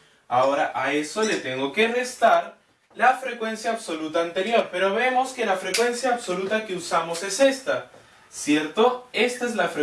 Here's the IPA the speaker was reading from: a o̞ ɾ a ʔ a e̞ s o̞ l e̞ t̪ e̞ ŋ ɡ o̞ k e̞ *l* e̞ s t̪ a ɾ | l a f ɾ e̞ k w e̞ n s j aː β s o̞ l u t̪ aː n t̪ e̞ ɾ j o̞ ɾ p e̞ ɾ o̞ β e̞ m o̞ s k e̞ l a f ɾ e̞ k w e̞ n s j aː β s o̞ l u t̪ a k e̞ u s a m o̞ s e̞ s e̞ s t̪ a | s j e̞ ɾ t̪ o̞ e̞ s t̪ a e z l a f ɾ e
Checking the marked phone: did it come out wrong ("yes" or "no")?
yes